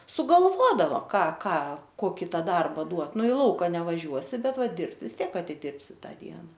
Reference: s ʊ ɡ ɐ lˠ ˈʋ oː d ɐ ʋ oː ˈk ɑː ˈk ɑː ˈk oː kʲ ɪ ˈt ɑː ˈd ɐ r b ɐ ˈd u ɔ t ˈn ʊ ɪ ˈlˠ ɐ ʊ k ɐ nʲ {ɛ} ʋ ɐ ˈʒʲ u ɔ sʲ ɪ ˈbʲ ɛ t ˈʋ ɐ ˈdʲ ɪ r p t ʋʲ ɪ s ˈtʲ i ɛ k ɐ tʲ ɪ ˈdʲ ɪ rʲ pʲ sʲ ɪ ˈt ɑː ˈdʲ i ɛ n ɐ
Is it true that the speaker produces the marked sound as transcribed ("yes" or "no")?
yes